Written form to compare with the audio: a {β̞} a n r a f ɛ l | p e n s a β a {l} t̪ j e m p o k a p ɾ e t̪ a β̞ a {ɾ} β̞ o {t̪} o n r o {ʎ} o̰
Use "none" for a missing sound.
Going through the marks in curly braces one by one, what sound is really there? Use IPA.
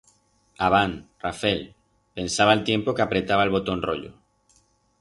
β̞, l, l, t̪, ʎ

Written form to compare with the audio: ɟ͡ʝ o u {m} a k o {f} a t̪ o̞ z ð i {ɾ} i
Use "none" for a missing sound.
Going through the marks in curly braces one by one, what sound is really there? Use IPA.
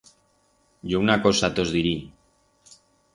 n, s, ɾ

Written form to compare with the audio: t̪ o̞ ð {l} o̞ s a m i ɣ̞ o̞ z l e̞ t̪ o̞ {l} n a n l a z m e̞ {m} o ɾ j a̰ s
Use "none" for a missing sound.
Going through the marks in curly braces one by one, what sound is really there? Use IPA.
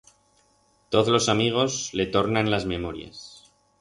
l, ɾ, m

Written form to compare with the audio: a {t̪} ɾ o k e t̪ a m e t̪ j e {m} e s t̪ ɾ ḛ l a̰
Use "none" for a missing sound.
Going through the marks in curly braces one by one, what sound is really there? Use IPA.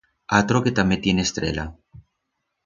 t̪, n

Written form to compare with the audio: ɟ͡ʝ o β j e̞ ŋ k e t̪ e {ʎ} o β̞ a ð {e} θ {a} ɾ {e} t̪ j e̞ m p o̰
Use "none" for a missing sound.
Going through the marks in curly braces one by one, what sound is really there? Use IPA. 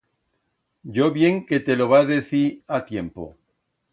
l, e, i, a

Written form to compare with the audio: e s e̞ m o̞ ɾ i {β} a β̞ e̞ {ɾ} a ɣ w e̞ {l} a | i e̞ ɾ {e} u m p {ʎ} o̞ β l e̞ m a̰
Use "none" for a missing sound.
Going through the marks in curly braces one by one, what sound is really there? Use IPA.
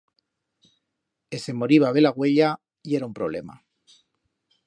β, l, ʎ, a, ɾ

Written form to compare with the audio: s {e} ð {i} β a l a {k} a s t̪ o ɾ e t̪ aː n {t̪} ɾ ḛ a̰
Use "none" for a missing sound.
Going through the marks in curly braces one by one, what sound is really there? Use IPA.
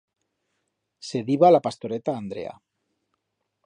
e, i, p, d̪

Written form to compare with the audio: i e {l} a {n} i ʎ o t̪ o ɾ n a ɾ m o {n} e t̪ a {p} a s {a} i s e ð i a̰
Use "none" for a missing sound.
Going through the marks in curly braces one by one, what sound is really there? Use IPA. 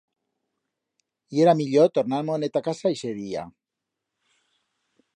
ɾ, m, n, k, a

